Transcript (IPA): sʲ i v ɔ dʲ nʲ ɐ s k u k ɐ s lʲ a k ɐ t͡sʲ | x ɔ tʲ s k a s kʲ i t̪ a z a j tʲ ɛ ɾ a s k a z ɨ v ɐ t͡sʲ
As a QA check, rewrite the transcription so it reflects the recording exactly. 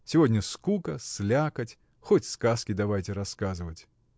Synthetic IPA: sʲ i v ɔ dʲ nʲ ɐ s k u k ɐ s lʲ a k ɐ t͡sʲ | x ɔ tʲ s k a s kʲ i d̪ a v a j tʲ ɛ ɾ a s k a z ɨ v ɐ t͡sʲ

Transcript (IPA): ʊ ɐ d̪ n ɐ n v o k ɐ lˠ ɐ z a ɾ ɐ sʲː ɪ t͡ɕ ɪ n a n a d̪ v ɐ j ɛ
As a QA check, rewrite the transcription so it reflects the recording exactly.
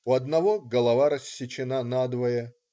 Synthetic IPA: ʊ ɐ d̪ n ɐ v o ɡ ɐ lˠ ɐ v a ɾ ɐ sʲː ɪ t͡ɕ ɪ n a n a d̪ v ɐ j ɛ

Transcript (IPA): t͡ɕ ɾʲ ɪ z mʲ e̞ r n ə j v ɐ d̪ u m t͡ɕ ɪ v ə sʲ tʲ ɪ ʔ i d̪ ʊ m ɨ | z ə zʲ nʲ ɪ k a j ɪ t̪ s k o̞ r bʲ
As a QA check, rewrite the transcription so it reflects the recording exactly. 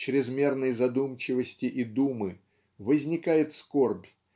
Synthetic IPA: t͡ɕ ɾʲ ɪ z mʲ e̞ r n ə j z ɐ d̪ u m t͡ɕ ɪ v ə sʲ tʲ ɪ ʔ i d̪ u m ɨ | v ə zʲ nʲ ɪ k a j ɪ t̪ s k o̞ r bʲ

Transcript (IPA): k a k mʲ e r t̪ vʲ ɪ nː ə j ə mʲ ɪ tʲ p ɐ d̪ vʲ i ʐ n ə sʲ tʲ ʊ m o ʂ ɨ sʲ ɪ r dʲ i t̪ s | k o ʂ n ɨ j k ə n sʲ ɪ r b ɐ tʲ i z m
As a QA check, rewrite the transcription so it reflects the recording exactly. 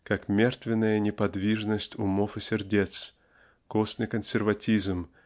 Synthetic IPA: k a k mʲ e r t̪ vʲ ɪ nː ə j ə nʲ ɪ p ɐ d̪ vʲ i ʐ n ə sʲ tʲ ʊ m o f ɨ sʲ ɪ r dʲ e t̪ s | k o s n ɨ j k ə n sʲ ɪ r v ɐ tʲ i z m

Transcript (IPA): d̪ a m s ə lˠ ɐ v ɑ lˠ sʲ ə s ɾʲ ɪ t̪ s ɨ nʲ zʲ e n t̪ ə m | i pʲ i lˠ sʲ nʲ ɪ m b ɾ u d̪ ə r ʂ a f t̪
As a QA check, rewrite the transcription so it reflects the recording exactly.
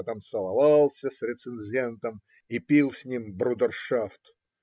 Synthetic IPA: t̪ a m s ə lˠ ɐ v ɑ lˠ sʲ ə s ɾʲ ɪ t̪ s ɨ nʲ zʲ e n t̪ ə m | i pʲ i lˠ sʲ nʲ i m b ɾ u d̪ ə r ʂ a f t̪

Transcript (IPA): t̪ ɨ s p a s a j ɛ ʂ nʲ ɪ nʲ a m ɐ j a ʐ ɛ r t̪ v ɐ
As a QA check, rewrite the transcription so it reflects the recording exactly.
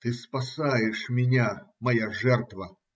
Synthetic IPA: t̪ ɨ s p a s a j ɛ ʂ mʲ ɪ nʲ a m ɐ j a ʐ ɛ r t̪ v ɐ

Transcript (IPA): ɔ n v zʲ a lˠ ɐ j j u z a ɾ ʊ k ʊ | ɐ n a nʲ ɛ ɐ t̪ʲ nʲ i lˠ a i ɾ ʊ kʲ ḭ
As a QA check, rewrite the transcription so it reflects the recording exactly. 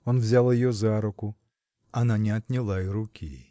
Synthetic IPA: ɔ n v zʲ a lˠ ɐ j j ɔ z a ɾ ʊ k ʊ | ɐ n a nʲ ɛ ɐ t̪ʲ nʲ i lˠ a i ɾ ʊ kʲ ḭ

